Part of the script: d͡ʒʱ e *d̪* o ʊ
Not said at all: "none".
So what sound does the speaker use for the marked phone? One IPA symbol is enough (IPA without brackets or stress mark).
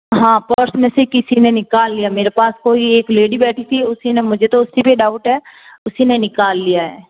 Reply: t̪